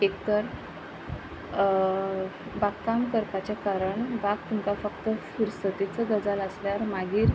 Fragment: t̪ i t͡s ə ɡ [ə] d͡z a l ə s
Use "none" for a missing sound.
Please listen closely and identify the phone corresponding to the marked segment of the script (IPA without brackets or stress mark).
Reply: ə